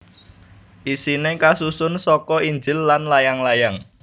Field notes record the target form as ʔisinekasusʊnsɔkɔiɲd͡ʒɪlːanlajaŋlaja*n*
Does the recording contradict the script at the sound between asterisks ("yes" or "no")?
yes